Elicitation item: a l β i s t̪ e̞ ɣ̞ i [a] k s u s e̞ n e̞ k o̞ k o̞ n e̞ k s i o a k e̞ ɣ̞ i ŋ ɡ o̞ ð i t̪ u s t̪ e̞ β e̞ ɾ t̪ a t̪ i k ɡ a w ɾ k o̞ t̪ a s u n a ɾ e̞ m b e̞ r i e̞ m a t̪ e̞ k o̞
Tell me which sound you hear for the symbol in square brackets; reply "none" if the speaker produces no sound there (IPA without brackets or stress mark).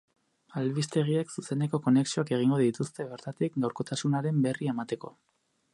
e